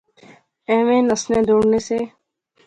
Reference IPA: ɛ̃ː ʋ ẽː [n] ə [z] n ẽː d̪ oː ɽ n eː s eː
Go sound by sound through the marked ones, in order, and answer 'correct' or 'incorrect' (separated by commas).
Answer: correct, incorrect